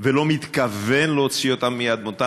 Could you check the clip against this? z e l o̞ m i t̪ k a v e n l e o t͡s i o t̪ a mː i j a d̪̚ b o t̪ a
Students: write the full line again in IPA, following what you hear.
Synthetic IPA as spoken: v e l o̞ m i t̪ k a v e n l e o t͡s i o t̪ a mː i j a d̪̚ m o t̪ a

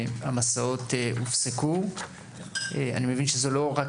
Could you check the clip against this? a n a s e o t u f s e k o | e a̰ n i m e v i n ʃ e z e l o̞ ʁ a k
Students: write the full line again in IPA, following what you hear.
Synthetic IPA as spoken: a m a s a o t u f s e k u | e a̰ n i m e v i n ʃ e z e l o̞ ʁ a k

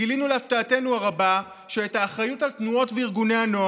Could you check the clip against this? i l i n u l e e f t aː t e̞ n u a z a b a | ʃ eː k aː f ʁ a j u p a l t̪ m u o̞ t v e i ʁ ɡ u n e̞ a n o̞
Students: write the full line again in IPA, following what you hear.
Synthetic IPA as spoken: i l i n u l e a f t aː t e̞ n u a ʁ a b a | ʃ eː t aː χ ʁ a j u t a l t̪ n u o̞ t v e i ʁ ɡ u n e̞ a n o̞

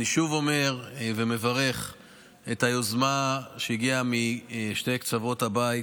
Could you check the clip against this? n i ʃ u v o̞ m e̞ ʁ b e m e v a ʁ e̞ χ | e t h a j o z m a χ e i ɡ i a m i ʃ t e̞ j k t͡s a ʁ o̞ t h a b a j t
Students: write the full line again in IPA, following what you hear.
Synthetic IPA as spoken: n i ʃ u v o̞ m e̞ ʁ v e m e v a ʁ e̞ χ | e t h a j o z m a ʃ e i ɡ i a m i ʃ t e̞ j k t͡s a v o̞ t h a b a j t

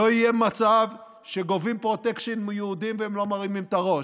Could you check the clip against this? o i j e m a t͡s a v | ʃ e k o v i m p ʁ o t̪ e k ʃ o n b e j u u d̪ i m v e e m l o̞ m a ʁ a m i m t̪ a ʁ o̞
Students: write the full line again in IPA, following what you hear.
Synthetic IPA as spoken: o i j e m a t͡s a v | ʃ e ɡ o v i m p ʁ o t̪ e k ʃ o n m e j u u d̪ i m v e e m l o̞ m a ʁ i m i m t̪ a ʁ o̞

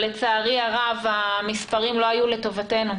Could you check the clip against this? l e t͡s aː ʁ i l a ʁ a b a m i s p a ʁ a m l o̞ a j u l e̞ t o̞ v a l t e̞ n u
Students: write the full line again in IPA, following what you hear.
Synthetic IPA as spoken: l e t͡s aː ʁ i a ʁ a v a m i s p a ʁ i m l o̞ a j u l e̞ t o̞ v a t e̞ n u

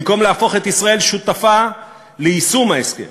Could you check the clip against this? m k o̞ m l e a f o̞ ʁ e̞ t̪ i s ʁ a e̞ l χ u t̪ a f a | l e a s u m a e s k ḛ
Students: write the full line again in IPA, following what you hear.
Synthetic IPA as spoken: m k o̞ m l e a f o̞ χ e̞ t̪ i s ʁ a e̞ l ʃ u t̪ a f a | l e i s u m a e s k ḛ

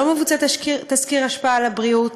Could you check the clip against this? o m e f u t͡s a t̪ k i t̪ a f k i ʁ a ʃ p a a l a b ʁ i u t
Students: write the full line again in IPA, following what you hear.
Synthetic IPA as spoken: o m e v u t͡s a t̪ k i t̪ a s k i ʁ a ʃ p a a l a b ʁ i u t

